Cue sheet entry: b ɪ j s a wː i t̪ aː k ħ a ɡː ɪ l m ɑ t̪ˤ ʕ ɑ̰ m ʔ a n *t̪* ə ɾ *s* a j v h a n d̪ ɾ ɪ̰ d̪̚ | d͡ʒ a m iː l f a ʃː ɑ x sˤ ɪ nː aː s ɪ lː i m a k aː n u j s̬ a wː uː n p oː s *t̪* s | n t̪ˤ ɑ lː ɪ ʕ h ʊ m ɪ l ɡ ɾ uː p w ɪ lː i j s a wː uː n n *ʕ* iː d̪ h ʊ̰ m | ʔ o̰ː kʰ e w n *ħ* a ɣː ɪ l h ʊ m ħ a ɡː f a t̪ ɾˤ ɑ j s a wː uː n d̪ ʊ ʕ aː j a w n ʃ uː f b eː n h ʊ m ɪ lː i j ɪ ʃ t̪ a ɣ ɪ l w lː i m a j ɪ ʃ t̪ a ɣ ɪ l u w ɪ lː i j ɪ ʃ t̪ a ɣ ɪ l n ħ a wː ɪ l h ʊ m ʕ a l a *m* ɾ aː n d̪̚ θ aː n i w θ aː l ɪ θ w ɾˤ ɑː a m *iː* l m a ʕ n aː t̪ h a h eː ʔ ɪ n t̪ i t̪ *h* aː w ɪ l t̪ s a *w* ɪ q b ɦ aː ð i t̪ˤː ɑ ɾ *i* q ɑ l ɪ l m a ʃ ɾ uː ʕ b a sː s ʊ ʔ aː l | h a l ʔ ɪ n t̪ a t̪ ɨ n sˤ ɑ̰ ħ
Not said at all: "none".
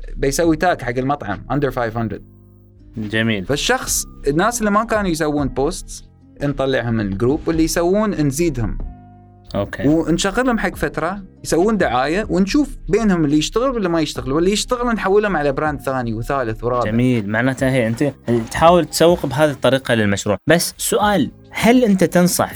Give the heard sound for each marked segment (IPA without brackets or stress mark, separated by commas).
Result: d̪, f, t̪, z, ʃ, b, iː, ħ, wː, iː